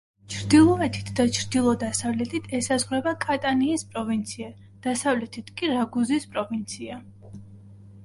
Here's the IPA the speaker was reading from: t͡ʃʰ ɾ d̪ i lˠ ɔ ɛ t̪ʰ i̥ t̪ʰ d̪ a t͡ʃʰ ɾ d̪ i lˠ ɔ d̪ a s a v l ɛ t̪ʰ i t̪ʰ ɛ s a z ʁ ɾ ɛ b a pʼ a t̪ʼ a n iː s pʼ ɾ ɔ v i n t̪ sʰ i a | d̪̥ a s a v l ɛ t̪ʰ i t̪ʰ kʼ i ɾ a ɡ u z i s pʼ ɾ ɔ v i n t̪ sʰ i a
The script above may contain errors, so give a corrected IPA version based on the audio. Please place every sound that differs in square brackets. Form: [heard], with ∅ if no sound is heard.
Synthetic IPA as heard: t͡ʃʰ ɾ d̪ i lˠ ɔ ɛ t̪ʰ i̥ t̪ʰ d̪ a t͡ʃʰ ɾ d̪ i lˠ ɔ d̪ a s a v l ɛ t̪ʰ i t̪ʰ ɛ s a z ʁ ɾ ɛ b a [kʼ] a t̪ʼ a n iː s pʼ ɾ ɔ v i n t̪ sʰ i a | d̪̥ a s a v l ɛ t̪ʰ i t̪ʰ kʼ i ɾ a ɡ u z i s pʼ ɾ ɔ v i n t̪ sʰ i a